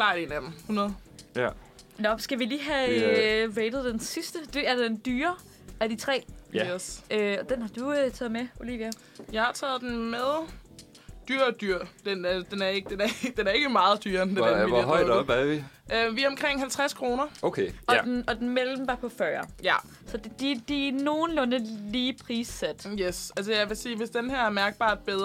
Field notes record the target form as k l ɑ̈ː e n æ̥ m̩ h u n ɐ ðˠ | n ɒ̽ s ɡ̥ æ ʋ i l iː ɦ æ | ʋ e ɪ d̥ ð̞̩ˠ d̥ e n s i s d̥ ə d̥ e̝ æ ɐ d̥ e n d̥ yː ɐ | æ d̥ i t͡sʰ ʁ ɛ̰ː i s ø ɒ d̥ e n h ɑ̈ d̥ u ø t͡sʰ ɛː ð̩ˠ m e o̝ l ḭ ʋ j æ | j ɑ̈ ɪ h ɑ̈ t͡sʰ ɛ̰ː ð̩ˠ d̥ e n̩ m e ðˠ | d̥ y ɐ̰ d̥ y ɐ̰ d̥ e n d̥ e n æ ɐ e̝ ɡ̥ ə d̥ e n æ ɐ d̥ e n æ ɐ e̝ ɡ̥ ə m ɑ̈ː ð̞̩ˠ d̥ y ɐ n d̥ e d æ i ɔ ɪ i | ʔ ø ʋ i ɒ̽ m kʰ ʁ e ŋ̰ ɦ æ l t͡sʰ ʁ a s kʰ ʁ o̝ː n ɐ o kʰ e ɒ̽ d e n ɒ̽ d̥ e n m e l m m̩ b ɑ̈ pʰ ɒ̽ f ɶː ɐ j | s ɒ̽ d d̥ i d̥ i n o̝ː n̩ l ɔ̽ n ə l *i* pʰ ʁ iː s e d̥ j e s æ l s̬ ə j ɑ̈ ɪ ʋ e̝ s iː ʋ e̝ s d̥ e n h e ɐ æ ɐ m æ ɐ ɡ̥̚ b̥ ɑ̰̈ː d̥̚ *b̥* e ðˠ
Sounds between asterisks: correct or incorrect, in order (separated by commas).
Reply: incorrect, correct